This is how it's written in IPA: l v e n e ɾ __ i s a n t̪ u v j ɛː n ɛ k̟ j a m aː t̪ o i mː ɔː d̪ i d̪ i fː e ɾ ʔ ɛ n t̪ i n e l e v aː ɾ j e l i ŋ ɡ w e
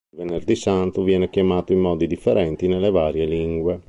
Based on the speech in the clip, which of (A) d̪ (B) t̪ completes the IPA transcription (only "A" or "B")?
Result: A